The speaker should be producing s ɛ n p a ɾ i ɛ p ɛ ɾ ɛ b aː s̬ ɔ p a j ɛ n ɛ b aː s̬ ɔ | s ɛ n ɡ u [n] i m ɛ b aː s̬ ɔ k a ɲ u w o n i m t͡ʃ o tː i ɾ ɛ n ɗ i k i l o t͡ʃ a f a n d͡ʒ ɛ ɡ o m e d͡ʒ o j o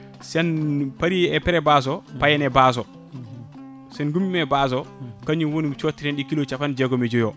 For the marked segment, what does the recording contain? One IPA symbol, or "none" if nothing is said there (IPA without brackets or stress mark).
m